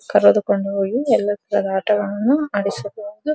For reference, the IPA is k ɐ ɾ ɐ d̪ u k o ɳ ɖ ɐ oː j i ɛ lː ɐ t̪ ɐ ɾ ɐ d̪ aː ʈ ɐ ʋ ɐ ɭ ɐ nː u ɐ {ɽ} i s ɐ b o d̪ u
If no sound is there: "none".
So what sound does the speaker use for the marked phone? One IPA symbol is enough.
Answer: ɽ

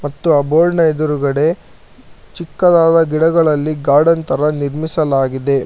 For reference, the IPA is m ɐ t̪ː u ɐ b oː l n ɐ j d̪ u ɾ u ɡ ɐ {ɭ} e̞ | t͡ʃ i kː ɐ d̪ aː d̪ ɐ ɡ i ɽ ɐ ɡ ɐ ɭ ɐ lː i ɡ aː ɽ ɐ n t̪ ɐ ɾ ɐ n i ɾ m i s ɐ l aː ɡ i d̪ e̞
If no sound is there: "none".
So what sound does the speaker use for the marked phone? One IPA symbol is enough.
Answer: ɽ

